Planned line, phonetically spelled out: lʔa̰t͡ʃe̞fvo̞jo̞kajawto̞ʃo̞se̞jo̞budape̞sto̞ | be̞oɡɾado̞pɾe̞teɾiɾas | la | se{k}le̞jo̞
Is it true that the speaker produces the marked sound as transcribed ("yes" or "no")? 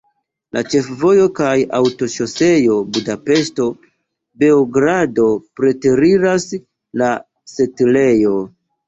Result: no